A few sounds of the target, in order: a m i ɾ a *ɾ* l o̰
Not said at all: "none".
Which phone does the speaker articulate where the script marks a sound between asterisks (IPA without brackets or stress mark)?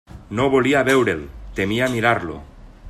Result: ɾ